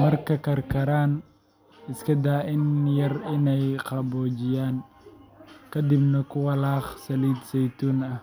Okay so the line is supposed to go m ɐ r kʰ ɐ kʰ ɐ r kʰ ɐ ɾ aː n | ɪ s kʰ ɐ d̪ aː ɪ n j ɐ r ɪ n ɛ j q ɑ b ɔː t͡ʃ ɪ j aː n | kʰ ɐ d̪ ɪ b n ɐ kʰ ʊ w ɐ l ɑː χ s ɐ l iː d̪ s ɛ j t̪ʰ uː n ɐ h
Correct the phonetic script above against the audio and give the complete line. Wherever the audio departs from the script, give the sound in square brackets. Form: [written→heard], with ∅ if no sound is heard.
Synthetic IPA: m ɐ r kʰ ɐ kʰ ɐ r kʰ ɐ ɾ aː n | ɪ s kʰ ɐ d̪ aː ɪ n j ɐ r ɪ n ɛ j q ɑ b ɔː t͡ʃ ɪ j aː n | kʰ ɐ d̪ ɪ b n ɐ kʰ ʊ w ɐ l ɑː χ s ɐ l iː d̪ s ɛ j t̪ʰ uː n ɐ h